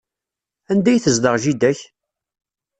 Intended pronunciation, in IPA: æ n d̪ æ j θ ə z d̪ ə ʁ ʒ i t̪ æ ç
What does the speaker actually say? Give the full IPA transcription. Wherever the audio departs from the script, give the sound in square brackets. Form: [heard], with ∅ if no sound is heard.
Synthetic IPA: æ n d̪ æ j θ ə z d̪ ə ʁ ʒ i [d̪] æ ç